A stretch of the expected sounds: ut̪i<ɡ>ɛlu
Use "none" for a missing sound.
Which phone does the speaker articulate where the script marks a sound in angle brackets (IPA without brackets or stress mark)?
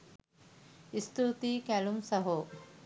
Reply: k